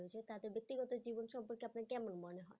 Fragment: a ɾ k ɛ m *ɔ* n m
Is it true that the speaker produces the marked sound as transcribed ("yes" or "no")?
no